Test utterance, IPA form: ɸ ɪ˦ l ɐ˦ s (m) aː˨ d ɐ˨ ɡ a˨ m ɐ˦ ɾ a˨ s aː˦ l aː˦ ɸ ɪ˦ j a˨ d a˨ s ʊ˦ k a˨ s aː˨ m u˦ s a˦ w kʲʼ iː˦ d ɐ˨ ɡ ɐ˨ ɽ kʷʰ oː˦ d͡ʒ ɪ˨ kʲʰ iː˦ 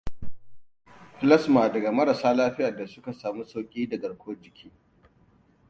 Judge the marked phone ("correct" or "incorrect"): correct